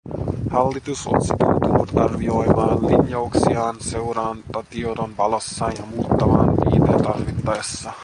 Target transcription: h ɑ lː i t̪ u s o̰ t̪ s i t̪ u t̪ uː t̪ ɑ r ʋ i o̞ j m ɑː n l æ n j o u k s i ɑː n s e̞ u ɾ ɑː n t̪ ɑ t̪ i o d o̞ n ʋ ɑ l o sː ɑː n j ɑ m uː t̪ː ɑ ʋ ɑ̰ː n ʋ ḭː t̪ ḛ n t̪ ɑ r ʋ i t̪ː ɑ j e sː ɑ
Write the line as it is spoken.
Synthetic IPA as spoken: h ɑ lː i t̪ u s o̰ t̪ s i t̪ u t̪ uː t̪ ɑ r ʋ i o̞ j m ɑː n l i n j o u k s i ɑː n s e̞ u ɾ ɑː n t̪ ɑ t̪ i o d o̞ n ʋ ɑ l o sː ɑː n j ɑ m uː t̪ː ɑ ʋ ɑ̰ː n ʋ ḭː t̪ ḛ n t̪ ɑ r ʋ i t̪ː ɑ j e sː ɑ